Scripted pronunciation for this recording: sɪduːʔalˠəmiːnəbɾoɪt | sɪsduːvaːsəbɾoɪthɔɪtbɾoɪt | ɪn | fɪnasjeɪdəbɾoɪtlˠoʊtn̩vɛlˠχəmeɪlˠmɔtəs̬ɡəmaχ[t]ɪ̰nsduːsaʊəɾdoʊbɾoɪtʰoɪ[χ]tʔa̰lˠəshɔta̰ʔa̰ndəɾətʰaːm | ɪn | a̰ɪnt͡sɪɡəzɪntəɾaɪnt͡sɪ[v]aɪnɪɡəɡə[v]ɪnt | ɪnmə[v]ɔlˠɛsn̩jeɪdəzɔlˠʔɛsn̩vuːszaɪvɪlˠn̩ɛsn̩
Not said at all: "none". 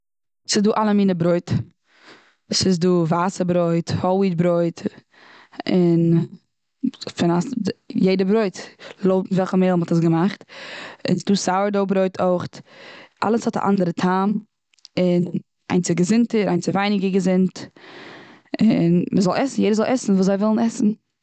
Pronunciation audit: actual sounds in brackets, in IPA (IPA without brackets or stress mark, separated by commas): t, χ, v, z, z